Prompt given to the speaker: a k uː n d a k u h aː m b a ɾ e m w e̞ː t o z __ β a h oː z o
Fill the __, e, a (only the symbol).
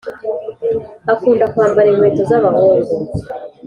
a